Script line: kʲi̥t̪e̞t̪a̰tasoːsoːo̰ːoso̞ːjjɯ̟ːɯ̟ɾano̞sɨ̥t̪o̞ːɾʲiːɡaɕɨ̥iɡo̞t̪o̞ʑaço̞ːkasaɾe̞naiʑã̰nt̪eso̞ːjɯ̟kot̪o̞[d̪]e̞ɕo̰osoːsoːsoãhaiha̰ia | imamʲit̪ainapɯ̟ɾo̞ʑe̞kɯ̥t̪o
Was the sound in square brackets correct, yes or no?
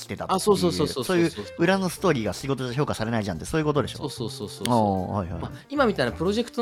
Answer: yes